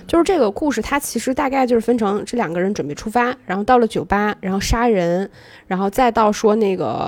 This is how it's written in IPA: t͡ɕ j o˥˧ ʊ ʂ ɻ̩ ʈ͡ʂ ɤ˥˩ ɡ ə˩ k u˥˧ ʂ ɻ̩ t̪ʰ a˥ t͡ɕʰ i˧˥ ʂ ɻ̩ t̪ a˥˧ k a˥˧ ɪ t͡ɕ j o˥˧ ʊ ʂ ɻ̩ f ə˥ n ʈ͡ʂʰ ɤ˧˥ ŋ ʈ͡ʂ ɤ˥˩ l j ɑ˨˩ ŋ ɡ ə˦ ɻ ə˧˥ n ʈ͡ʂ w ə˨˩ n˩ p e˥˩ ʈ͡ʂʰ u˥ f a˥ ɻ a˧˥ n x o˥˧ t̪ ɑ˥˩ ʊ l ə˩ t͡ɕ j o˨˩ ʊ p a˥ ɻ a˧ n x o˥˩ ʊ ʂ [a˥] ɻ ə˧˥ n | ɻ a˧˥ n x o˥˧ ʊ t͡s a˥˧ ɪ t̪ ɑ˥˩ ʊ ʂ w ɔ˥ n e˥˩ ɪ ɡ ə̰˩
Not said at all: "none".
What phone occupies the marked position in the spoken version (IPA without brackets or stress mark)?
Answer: a˥